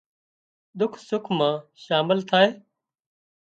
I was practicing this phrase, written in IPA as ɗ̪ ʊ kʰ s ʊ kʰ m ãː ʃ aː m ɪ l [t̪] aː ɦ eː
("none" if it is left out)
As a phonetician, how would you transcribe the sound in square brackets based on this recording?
t̪ʰ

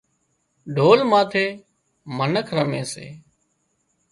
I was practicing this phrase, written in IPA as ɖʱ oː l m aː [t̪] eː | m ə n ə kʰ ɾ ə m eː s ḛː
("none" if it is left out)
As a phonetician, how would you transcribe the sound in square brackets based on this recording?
t̪ʰ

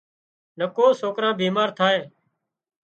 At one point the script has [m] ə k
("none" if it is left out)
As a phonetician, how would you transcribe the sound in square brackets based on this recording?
n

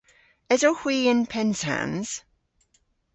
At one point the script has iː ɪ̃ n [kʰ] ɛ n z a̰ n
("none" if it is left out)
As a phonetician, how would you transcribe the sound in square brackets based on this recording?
pʰ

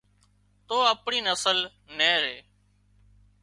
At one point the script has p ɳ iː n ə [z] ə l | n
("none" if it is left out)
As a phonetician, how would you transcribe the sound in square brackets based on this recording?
s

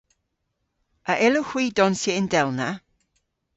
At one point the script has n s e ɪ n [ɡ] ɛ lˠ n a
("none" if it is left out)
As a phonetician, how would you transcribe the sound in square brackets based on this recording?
d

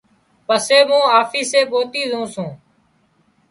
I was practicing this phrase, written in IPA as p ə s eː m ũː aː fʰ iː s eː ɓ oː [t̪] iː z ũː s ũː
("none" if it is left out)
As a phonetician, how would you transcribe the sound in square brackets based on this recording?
t̪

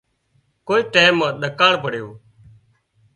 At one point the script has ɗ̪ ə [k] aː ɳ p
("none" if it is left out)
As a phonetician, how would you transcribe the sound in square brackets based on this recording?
k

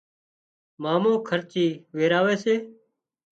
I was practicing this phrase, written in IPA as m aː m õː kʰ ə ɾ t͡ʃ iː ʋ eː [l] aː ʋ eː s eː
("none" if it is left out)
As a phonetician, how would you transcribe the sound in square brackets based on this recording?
ɾ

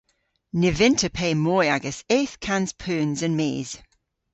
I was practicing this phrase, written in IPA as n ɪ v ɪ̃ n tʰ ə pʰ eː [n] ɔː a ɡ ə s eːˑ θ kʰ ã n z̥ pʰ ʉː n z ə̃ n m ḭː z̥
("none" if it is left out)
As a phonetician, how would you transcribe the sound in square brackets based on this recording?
m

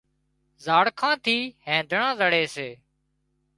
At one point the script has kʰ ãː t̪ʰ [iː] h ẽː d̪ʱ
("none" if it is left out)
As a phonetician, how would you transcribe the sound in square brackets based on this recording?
iː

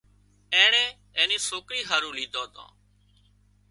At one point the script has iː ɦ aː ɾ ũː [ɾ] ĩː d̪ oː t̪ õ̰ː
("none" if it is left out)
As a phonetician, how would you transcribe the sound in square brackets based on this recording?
l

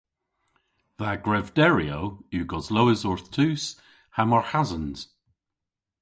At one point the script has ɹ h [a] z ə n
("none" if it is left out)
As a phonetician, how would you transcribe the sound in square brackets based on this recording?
a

